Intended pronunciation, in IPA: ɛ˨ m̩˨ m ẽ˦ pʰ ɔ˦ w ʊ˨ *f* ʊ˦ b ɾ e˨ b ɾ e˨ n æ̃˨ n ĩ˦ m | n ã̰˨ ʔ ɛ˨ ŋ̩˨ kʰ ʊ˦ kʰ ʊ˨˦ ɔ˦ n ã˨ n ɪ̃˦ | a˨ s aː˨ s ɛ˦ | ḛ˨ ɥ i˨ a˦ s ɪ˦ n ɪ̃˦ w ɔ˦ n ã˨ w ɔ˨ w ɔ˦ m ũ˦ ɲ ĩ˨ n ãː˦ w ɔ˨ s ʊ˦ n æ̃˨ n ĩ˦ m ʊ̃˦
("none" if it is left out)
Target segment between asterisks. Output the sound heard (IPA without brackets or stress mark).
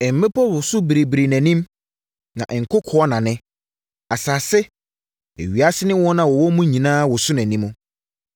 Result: s